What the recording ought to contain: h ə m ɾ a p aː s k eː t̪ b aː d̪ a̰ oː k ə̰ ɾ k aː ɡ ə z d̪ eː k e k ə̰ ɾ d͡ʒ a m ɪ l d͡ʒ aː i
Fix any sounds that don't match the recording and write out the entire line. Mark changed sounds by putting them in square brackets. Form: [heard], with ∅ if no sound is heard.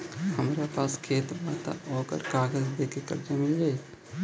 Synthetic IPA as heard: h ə m ɾ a p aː s [kʰ] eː t̪ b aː [t̪] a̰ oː k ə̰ ɾ k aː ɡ ə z d̪ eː k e k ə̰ ɾ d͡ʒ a m ɪ l d͡ʒ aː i